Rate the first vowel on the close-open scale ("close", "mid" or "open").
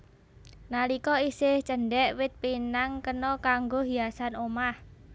open